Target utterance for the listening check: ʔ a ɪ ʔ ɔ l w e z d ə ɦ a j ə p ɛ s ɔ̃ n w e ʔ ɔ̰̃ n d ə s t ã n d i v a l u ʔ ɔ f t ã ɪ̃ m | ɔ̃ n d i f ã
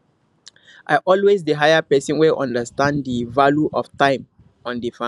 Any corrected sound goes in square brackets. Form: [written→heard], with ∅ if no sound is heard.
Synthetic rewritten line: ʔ a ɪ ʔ ɔ l w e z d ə ɦ a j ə p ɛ s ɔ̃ n w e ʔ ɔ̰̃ n d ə s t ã n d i v a l u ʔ ɔ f t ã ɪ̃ m | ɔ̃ n d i f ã